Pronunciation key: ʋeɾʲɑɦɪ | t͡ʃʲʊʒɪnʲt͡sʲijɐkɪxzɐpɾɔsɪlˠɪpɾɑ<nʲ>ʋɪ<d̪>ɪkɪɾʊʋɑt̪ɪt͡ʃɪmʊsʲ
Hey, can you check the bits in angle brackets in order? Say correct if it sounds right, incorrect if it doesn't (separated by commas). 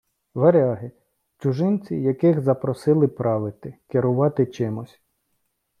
incorrect, incorrect